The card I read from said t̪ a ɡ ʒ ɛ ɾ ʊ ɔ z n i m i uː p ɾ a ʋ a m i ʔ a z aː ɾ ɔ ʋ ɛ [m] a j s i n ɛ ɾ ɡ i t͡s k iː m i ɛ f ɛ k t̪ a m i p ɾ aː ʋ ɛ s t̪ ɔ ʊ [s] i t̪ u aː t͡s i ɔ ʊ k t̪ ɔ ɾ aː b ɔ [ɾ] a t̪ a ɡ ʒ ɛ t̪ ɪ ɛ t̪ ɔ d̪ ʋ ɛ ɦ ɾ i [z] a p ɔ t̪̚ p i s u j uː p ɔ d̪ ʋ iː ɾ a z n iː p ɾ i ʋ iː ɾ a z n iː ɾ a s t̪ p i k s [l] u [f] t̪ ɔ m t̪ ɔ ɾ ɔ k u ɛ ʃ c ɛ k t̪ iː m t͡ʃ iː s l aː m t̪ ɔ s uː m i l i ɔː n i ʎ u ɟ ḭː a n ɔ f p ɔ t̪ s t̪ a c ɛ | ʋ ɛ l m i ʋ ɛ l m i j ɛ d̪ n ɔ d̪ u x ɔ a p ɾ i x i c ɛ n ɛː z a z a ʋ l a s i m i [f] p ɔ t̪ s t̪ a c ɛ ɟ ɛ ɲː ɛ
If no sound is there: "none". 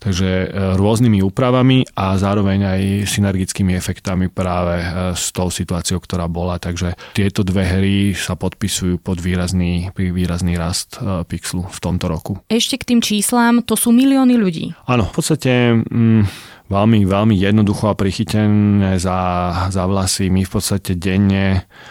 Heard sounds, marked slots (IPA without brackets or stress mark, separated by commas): ɲ, s, l, s, l, f, f